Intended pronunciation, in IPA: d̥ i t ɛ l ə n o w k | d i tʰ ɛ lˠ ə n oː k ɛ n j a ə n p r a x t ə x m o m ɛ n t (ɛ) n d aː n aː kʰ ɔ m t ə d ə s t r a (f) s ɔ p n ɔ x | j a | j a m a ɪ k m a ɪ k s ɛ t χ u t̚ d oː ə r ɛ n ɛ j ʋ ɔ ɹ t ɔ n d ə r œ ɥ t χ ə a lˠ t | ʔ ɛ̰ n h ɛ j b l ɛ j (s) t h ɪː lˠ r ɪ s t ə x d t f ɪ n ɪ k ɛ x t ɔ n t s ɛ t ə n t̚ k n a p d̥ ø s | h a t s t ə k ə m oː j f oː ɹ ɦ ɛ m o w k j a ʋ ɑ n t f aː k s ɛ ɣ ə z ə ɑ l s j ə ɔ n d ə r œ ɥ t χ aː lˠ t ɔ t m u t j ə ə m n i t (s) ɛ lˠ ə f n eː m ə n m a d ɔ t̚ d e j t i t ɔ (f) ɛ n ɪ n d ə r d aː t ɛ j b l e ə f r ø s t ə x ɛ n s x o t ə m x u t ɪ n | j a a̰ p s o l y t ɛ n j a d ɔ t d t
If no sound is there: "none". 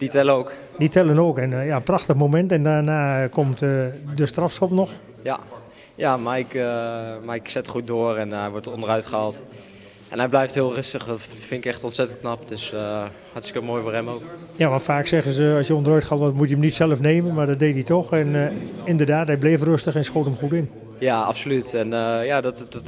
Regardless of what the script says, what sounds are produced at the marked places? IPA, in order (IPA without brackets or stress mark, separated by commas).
ɛ, f, f, s, x